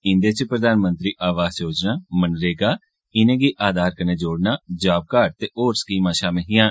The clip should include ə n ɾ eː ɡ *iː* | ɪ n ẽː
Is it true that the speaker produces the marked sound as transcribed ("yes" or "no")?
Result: no